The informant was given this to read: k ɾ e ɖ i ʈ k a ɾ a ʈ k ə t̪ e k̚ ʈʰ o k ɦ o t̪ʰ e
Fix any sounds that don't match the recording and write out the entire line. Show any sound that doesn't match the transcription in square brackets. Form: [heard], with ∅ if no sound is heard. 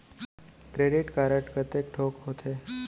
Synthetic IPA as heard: k ɾ e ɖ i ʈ k a ɾ [ə] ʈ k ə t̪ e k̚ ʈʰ o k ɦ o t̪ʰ e